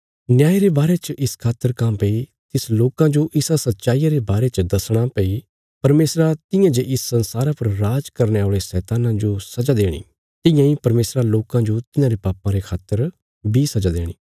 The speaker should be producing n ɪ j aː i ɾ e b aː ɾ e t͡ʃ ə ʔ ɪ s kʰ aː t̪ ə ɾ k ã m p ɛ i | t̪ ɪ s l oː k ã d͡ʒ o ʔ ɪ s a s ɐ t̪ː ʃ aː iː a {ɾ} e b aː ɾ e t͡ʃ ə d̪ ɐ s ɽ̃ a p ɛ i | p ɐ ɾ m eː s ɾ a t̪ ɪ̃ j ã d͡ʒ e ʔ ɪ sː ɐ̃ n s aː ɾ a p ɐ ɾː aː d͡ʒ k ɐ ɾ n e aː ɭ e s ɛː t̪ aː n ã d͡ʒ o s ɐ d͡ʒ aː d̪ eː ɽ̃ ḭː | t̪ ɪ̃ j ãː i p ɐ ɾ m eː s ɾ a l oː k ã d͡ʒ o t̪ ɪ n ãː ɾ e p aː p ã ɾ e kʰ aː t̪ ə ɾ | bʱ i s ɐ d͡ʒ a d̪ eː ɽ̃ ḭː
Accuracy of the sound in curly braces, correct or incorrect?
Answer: correct